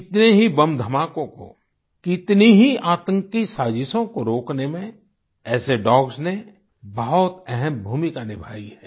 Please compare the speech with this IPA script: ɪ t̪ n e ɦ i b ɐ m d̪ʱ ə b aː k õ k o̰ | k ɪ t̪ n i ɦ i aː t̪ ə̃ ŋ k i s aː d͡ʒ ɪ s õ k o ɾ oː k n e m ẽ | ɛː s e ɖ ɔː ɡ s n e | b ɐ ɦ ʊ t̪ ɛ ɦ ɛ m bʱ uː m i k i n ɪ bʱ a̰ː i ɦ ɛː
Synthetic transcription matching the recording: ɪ t̪ n e ɦ i b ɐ m d̪ʱ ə m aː k õ k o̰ | k ɪ t̪ n i ɦ i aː t̪ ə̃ ŋ k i s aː d͡ʒ ɪ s õ k o ɾ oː k n e m ẽ | ɛː s e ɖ ɔː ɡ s n e | b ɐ ɦ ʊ t̪ ɛ ɦ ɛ m bʱ uː m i k a n ɪ bʱ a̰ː i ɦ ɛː